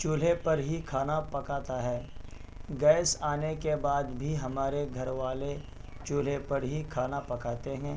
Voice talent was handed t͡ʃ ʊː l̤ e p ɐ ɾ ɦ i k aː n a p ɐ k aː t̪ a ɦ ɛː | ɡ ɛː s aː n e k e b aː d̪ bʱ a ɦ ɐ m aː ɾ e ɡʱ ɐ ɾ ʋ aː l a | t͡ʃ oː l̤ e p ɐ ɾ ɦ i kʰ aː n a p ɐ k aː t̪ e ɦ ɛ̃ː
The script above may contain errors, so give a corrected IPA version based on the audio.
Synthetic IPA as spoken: t͡ʃ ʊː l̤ e p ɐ ɾ ɦ i kʰ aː n a p ɐ k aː t̪ a ɦ ɛː | ɡ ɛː s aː n e k e b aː d̪ bʱ i ɦ ɐ m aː ɾ e ɡʱ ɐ ɾ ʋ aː l e | t͡ʃ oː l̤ e p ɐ ɾ ɦ i kʰ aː n a p ɐ k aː t̪ e ɦ ɛ̃ː